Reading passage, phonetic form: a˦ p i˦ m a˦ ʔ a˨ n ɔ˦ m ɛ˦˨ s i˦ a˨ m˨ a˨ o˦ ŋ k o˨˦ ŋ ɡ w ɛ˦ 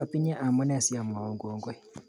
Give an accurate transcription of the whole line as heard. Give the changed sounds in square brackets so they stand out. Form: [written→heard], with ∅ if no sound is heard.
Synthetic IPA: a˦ p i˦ [m→ɲ] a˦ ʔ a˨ [n→m] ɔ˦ [m→n] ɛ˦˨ s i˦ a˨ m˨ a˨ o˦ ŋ [k→ɡ] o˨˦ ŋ ɡ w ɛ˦